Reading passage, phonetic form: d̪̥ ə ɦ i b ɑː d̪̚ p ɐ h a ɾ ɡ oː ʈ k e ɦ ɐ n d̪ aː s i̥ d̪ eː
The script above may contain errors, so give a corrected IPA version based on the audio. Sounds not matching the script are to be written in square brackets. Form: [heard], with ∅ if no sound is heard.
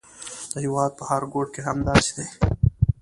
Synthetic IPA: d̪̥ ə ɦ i [w] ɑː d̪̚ p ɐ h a ɾ ɡ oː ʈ k e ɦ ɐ [m] d̪ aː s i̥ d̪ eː